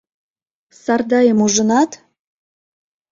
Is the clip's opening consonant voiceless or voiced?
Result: voiceless